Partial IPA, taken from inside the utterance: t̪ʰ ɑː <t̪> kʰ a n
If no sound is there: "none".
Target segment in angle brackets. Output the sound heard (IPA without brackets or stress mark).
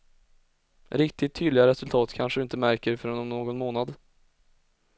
t̪